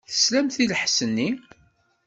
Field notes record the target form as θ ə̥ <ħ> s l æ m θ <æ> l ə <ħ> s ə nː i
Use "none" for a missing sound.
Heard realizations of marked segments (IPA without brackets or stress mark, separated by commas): none, i, ħ